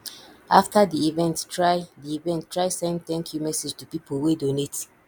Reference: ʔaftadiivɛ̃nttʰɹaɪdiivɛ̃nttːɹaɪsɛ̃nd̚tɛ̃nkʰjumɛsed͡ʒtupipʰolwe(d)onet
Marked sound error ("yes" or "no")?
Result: no